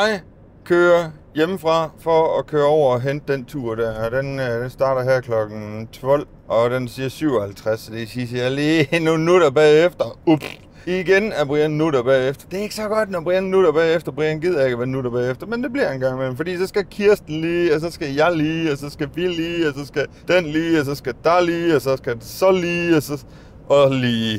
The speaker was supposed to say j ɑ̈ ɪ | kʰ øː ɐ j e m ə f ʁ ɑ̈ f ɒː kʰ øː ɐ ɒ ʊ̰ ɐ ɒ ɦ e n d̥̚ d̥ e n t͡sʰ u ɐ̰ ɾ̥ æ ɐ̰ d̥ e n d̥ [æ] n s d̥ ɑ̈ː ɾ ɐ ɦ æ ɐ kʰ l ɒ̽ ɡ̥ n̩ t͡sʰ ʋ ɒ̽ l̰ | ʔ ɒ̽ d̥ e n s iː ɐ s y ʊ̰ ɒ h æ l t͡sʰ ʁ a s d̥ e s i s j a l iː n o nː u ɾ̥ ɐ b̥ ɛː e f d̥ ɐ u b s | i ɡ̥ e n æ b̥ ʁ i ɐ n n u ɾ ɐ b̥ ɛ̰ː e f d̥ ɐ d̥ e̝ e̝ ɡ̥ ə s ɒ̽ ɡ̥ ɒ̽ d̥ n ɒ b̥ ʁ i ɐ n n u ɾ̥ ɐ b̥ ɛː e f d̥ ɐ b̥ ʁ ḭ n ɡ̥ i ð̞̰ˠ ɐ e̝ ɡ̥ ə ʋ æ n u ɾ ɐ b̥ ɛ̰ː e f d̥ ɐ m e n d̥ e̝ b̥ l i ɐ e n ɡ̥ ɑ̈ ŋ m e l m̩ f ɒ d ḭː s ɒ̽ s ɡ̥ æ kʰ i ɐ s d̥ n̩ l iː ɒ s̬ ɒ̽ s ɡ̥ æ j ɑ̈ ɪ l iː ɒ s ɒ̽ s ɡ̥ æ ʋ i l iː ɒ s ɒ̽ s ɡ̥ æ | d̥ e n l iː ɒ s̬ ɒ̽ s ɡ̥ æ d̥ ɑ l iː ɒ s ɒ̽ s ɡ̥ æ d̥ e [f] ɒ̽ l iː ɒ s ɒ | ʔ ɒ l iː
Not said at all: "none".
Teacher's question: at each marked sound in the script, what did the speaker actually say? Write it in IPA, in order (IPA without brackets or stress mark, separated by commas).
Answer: e, s